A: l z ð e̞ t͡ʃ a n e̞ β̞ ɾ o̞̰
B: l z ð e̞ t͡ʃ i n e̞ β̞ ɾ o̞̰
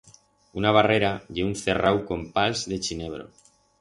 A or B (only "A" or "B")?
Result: B